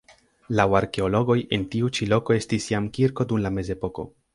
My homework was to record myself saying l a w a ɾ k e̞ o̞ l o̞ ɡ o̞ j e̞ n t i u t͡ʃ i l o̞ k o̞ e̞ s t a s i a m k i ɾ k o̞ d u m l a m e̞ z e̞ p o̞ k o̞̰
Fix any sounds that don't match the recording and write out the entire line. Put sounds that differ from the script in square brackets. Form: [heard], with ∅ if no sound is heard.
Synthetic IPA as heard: l a w a ɾ k e̞ o̞ l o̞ ɡ o̞ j e̞ n t i u t͡ʃ i l o̞ k o̞ e̞ s t [i] s [j] a m k i ɾ k o̞ d u m l a m e̞ z e̞ p o̞ k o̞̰